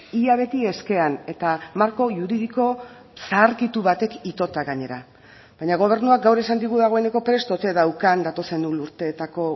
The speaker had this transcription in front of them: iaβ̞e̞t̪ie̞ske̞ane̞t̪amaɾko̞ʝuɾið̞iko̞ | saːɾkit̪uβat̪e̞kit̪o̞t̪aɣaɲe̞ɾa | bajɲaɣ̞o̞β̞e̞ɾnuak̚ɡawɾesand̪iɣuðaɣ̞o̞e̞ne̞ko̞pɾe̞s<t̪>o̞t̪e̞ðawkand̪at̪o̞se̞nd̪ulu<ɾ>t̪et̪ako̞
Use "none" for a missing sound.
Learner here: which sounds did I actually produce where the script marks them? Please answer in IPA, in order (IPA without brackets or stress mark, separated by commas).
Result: t̪, ɾ